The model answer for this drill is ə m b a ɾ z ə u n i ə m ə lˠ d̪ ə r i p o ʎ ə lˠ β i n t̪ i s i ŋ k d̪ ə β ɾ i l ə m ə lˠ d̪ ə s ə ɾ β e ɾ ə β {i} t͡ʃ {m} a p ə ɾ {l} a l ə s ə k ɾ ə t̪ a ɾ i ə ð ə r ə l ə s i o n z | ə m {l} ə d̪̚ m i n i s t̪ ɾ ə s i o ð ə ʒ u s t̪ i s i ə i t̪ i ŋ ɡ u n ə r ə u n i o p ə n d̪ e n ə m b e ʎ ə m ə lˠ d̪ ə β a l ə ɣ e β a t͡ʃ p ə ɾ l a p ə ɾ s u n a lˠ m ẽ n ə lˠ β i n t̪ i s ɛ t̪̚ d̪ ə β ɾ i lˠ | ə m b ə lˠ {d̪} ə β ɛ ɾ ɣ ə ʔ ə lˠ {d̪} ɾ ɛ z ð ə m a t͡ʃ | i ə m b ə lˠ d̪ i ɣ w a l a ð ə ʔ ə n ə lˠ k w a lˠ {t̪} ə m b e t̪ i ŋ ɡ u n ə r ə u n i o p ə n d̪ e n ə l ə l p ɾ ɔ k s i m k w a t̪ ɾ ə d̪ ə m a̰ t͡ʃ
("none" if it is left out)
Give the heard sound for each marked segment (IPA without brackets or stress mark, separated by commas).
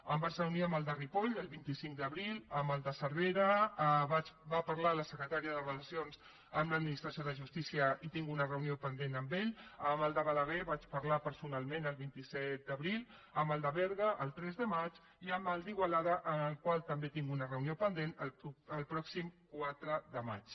a, b, l, l, d̪, t̪, t̪